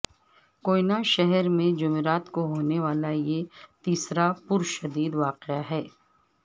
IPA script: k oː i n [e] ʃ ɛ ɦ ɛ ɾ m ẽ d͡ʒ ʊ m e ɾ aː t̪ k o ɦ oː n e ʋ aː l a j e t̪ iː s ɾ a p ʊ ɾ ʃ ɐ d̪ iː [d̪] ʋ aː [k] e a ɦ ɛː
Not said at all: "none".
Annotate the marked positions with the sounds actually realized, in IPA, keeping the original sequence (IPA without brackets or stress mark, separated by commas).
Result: a, d̪, q